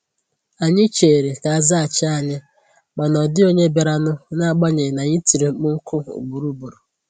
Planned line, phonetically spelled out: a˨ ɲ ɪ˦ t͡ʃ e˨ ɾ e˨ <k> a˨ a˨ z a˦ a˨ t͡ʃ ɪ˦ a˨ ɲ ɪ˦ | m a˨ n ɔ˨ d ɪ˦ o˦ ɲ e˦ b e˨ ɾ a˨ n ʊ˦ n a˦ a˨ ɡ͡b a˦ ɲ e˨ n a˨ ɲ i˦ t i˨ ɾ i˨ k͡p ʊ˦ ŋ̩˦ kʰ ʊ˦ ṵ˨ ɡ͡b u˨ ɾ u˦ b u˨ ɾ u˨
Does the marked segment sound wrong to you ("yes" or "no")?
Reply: no